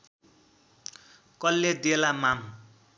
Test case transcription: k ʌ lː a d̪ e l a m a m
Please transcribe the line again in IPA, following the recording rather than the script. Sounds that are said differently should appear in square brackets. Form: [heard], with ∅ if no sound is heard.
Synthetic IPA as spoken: k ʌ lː [e] d̪ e l a m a m